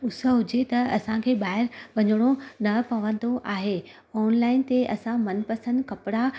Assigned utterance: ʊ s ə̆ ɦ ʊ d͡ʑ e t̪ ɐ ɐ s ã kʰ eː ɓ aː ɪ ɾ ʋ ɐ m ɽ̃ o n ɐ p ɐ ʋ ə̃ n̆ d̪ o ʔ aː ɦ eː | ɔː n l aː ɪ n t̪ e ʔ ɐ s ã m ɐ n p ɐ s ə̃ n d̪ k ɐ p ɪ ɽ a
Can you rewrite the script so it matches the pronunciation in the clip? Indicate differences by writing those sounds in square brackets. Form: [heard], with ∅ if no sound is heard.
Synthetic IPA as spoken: ʊ s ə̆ ɦ ʊ d͡ʑ e t̪ ɐ ɐ s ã kʰ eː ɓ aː ɪ ɾ ʋ ɐ [ɲ] ɽ̃ o n ɐ p ɐ ʋ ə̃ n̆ d̪ o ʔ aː ɦ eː | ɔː n l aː ɪ n t̪ e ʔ ɐ s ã m ɐ n p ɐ s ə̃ n d̪ k ɐ p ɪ ɽ a